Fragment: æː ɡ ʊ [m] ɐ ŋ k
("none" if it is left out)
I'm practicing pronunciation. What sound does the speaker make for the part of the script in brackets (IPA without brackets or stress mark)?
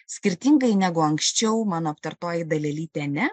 none